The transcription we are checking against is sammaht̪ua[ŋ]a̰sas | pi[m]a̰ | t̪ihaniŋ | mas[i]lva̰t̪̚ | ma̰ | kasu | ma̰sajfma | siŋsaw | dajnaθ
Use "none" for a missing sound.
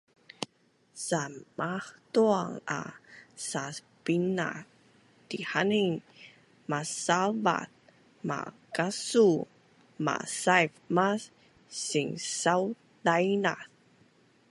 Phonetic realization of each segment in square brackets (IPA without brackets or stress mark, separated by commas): ŋ, n, a